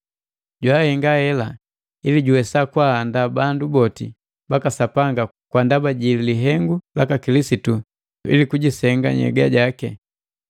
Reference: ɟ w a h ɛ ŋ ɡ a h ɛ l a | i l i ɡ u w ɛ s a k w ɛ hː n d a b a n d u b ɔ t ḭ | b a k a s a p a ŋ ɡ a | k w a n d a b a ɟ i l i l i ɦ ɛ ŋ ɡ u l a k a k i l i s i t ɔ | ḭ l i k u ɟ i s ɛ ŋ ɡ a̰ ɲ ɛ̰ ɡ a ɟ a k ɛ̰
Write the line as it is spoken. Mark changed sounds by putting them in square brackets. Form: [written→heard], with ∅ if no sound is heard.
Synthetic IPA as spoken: ɟ w a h ɛ ŋ ɡ a h ɛ l a | i l i [ɡ→ɟ] u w ɛ s a k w [ɛ→a] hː n d a b a n d u b ɔ t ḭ | b a k a s a p a ŋ ɡ a | k w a n d a b a ɟ i l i l i ɦ ɛ ŋ ɡ u l a k a k i l i s i t [ɔ→u] | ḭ l i k u ɟ i s ɛ ŋ ɡ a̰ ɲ ɛ̰ ɡ a ɟ a k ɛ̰